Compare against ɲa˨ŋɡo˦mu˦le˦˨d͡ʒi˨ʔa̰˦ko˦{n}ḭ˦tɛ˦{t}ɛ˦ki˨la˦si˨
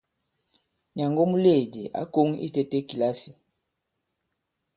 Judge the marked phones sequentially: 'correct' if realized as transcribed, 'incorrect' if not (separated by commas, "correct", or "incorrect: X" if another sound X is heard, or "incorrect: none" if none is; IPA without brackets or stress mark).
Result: incorrect: ŋ, correct